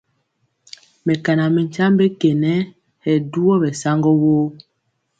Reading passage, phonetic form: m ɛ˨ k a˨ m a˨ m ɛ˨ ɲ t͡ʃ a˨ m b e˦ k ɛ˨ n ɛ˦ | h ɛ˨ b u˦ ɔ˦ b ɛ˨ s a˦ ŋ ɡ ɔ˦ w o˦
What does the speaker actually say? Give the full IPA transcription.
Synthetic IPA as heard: m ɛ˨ k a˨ n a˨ m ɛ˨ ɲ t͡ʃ a˦ m b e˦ k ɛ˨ n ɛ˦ | h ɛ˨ d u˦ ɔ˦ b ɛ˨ s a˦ ŋ ɡ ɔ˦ w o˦